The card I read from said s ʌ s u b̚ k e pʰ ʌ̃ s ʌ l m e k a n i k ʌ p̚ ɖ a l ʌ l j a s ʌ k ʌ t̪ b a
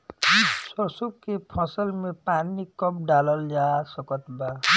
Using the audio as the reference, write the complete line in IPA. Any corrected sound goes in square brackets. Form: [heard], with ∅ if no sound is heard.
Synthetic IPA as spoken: s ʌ s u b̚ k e pʰ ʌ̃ s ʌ l m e [p] a n i k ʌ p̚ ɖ a l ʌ l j a s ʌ k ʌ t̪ b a